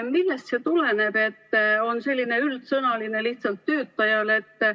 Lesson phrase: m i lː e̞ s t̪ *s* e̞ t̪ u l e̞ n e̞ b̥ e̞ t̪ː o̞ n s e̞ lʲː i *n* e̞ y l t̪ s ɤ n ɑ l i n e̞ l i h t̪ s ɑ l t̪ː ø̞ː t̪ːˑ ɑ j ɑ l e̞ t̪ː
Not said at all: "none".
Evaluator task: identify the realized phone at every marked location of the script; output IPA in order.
s, n

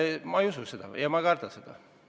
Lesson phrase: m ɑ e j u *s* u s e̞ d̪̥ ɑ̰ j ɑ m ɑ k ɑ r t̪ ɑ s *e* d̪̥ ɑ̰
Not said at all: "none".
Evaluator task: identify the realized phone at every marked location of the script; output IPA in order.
s, e

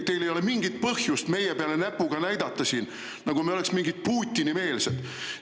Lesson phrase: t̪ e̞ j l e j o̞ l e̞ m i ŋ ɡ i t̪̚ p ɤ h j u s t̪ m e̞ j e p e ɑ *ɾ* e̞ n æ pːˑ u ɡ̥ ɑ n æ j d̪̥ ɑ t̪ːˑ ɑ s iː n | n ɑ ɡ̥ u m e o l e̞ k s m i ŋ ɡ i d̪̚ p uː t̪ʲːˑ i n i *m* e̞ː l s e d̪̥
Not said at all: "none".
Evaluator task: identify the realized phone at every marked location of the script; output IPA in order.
l, m

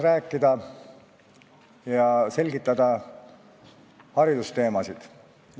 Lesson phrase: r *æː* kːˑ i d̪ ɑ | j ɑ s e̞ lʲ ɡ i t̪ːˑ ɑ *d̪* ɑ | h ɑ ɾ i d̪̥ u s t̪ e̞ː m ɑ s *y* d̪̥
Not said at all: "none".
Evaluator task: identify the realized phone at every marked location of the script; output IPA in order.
æː, d̪, i

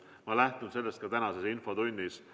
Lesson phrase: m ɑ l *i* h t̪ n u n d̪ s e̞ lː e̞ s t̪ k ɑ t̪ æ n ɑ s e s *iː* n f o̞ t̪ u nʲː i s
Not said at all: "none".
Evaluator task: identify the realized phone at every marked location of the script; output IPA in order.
æ, i

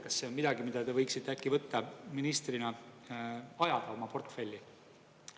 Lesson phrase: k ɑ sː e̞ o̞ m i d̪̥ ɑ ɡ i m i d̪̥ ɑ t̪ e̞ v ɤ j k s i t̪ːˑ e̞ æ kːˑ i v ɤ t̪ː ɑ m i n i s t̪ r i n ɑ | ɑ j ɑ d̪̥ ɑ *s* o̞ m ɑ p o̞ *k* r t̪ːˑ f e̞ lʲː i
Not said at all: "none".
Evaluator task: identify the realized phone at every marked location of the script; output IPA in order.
none, none

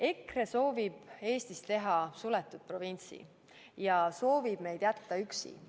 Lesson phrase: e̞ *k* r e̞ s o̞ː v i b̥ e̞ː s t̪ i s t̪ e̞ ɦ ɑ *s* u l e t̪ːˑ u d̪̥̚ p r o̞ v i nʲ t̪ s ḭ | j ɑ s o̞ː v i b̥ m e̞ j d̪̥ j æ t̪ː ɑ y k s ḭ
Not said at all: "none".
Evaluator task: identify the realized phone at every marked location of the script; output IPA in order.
k, s

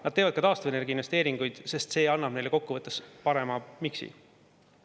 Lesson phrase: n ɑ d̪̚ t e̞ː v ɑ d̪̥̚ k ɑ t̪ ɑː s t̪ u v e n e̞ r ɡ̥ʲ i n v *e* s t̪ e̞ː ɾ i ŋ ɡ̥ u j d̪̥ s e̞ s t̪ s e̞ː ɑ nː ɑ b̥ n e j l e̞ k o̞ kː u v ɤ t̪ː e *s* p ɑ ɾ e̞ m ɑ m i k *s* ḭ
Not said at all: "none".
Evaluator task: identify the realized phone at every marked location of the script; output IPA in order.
e, s, s

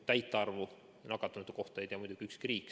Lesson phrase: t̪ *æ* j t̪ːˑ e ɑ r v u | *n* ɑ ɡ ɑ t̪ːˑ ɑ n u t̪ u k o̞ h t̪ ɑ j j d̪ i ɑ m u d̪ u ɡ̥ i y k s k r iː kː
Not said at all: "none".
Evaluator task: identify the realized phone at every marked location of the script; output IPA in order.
æ, n

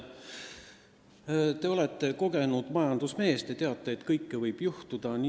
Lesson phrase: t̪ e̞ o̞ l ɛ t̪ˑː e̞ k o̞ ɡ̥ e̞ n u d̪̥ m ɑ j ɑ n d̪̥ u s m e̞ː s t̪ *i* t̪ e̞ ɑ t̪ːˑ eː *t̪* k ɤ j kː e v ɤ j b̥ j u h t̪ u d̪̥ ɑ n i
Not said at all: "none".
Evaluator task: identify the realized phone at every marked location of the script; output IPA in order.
e, t̪

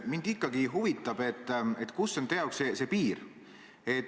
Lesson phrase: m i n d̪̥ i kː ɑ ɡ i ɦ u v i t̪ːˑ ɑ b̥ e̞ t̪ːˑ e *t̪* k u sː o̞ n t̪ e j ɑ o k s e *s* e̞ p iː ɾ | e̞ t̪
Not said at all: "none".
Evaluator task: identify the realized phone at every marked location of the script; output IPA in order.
t̪, s

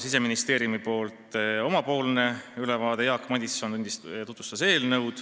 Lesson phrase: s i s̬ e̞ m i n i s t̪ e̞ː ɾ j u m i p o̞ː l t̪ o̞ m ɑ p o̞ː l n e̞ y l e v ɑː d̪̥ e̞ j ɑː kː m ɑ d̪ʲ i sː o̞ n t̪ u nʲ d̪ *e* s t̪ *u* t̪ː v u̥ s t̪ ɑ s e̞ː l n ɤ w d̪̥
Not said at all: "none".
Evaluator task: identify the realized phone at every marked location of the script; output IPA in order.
i, u

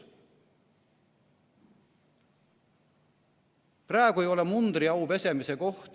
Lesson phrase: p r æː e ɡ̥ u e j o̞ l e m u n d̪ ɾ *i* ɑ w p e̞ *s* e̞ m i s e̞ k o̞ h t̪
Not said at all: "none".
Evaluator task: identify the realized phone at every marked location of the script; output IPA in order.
i, s

